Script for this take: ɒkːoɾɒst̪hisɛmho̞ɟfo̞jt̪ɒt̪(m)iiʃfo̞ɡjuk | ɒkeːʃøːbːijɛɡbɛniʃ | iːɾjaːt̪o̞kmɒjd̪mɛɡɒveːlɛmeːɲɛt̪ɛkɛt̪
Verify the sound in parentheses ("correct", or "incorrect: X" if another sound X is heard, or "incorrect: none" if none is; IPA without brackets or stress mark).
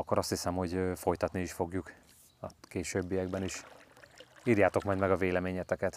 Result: incorrect: n